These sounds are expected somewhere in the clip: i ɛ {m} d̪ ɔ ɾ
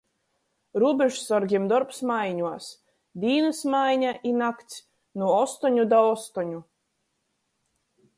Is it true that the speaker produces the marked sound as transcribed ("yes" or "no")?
yes